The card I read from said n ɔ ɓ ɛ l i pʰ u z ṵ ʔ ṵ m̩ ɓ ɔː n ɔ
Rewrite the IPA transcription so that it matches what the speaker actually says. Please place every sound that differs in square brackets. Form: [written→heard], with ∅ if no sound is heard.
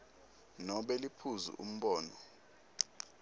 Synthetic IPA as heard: n ɔ ɓ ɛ l i pʰ u z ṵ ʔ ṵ m̩ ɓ ɔː n ɔ